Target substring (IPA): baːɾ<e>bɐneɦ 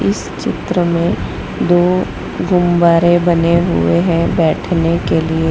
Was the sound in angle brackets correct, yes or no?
yes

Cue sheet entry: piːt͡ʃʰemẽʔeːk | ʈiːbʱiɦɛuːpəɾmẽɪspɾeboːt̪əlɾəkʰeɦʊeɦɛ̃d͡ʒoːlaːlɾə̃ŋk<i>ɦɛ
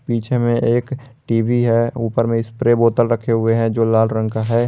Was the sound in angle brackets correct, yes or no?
no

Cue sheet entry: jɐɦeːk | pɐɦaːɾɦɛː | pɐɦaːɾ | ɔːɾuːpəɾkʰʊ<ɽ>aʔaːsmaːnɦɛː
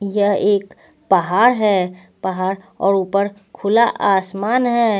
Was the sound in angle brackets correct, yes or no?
no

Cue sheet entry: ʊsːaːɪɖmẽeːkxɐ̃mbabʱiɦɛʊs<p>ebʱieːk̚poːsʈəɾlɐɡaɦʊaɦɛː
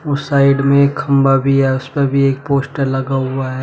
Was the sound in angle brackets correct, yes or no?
yes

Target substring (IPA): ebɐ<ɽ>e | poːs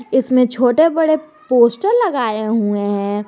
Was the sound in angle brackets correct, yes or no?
yes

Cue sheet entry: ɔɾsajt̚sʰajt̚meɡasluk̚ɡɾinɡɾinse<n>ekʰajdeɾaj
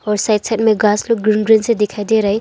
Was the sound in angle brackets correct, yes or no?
no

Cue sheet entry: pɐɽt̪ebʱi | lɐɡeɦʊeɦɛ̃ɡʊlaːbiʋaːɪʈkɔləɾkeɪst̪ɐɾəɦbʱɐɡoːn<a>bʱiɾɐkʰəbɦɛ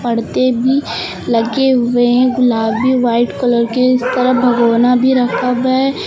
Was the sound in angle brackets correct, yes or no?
yes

